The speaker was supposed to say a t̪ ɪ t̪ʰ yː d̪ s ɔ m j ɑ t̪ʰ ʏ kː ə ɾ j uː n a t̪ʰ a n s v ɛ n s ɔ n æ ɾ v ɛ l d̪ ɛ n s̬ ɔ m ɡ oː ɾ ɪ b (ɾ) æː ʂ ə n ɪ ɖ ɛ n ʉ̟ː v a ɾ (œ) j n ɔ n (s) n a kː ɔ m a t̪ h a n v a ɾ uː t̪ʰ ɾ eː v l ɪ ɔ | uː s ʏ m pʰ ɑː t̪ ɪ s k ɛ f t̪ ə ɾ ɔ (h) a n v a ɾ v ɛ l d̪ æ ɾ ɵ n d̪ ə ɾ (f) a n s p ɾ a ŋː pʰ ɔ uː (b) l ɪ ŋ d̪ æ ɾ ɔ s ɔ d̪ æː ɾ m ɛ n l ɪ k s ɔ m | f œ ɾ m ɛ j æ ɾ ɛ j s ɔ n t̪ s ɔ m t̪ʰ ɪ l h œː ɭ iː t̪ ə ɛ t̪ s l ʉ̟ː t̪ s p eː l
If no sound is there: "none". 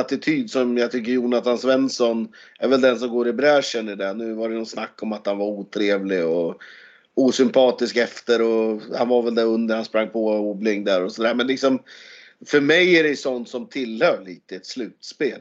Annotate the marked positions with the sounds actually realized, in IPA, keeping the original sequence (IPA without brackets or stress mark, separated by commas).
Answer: ɾ, ɛ, s, h, h, b